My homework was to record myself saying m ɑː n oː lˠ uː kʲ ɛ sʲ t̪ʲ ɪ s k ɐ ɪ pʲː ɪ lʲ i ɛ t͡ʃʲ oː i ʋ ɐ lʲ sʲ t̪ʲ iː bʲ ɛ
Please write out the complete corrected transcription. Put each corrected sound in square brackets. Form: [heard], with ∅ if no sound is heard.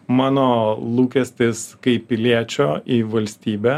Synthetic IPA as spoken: m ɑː n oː lˠ uː kʲ ɛ sʲ t̪ʲ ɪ s k ɐ ɪ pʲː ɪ lʲ i ɛ t͡ʃʲ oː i ʋ ɐ lʲ sʲ t̪ʲ iː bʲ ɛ